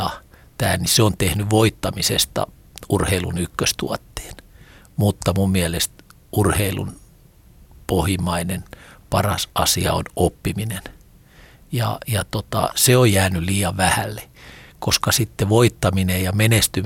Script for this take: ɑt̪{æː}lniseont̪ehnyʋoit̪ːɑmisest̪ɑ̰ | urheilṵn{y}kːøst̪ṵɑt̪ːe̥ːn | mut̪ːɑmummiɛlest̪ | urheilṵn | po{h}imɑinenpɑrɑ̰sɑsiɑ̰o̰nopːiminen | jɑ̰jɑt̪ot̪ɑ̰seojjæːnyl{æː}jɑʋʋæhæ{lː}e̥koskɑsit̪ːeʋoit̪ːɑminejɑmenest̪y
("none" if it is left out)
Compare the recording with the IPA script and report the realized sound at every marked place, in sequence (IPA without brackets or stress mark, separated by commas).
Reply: æː, y, h, iː, lː